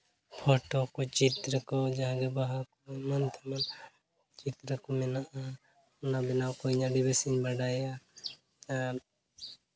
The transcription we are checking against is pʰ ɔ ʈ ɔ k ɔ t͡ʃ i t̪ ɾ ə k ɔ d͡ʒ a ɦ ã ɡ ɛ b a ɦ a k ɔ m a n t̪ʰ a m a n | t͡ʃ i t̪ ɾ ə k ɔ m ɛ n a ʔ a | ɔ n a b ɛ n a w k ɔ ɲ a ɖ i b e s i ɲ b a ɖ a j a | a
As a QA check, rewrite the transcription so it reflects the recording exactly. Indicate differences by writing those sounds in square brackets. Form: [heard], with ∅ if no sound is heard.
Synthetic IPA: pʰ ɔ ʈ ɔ k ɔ t͡ʃ i t̪ ɾ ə k ɔ d͡ʒ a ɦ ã ɡ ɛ b a ɦ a k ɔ m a n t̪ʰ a m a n | t͡ʃ i t̪ ɾ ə k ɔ m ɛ n a ʔ a | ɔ n a b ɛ n a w k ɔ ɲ a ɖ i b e s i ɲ b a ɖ a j a | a